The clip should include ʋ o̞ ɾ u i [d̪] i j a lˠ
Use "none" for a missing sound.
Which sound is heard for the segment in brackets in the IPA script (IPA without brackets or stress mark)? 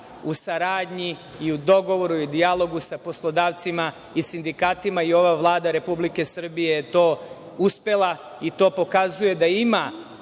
d̪